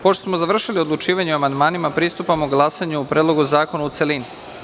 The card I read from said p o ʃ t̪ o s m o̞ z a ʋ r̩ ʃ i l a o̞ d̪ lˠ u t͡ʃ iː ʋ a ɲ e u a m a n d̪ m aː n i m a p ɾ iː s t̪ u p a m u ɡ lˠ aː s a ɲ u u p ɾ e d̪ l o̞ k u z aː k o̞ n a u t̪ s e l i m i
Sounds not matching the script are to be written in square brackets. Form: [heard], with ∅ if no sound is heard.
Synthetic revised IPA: p o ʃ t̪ o s m o̞ z a ʋ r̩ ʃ i l [i] o̞ d̪ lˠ u t͡ʃ iː ʋ a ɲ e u a m a n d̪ m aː n i m a p ɾ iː s t̪ u p a m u ɡ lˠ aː s a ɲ u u p ɾ e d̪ l o̞ [ɡ] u z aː k o̞ n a u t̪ s e l i [n] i